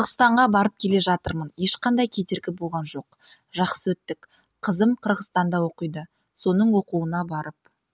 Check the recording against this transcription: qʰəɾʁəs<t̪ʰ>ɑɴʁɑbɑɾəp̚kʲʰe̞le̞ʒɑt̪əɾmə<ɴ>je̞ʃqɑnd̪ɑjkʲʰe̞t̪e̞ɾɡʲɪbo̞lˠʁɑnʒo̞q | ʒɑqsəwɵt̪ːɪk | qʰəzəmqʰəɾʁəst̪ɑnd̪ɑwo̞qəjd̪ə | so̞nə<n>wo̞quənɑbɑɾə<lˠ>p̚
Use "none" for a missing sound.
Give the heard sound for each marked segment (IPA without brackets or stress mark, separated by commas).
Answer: t̪, n, ɴ, none